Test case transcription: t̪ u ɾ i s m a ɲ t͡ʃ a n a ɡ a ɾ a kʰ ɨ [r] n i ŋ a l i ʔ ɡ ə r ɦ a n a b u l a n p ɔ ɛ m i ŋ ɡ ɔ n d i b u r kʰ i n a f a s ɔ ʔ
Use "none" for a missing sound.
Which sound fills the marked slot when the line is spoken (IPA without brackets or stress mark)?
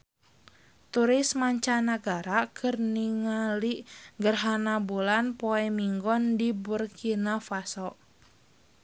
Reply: r